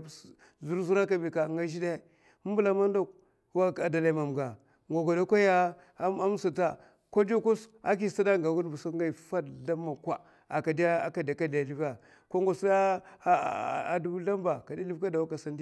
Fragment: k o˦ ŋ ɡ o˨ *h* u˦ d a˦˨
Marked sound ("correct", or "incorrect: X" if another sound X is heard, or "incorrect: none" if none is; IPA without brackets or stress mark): incorrect: s